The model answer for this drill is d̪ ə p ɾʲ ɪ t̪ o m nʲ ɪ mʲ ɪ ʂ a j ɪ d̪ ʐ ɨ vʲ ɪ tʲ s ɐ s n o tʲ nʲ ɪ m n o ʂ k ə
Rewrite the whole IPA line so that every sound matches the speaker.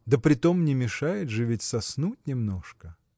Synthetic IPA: d̪ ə p ɾʲ ɪ t̪ o m nʲ ɪ mʲ ɪ ʂ a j ɪ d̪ ʐ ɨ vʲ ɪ tʲ s ɐ s n u tʲ nʲ ɪ m n o ʂ k ə